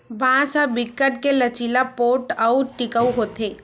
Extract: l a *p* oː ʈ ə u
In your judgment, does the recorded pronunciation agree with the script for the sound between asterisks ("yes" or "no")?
yes